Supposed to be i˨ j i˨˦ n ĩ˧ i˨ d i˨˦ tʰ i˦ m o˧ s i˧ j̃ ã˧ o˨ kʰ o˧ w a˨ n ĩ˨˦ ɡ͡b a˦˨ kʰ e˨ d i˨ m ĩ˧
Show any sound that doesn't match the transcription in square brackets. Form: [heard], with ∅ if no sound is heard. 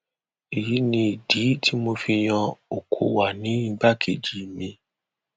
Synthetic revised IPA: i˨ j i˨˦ n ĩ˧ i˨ d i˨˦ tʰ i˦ m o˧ [f] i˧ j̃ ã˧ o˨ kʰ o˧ w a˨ n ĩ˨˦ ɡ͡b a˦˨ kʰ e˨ [d͡ʒ] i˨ m ĩ˧